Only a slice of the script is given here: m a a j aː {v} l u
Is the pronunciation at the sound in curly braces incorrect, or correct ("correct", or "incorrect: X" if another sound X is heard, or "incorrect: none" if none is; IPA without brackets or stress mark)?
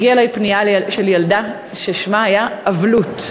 correct